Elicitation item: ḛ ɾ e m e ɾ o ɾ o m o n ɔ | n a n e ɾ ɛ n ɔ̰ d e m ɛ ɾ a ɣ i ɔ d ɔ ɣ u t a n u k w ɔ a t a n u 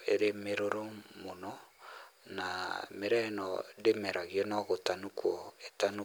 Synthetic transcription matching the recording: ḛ ɾ e m e ɾ o ɾ o m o n ɔ | n a m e ɾ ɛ n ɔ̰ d e m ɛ ɾ a ɣ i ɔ n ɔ ɣ o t a n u k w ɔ e t a n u